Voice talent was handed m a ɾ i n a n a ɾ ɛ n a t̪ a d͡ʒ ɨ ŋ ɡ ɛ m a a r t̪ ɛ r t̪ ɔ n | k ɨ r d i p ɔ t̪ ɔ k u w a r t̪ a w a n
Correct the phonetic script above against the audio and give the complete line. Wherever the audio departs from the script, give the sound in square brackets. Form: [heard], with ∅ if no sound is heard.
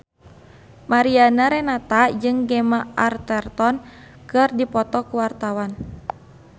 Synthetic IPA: m a ɾ i [∅] a n a ɾ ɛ n a t̪ a d͡ʒ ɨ ŋ ɡ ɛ m a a r t̪ ɛ r t̪ ɔ n | k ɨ r d i p ɔ t̪ ɔ k u w a r t̪ a w a n